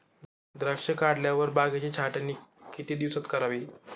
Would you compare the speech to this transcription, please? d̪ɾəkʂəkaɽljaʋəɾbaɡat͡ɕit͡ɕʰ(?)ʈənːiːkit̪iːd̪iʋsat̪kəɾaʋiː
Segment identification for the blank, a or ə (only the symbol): a